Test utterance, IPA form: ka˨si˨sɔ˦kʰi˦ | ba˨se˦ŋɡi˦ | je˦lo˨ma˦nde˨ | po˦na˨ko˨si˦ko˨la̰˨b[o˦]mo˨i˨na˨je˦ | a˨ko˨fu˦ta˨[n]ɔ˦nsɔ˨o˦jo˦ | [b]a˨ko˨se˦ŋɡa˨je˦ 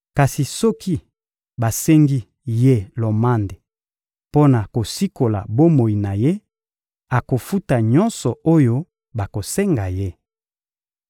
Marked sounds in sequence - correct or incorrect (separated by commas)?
correct, incorrect, correct